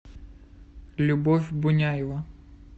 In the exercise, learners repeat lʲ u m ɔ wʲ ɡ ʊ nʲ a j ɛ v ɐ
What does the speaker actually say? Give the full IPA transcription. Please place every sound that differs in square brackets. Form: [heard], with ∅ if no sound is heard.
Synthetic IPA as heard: lʲ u [b] ɔ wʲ [b] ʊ nʲ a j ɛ [ʋ] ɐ